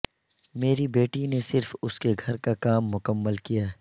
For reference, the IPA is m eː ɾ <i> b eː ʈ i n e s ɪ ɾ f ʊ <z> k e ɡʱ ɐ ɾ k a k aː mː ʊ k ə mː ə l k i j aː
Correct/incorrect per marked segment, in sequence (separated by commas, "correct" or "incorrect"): correct, incorrect